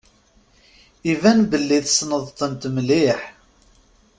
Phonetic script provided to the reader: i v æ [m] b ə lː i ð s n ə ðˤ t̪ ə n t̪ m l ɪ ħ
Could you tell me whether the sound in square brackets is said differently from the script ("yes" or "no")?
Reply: yes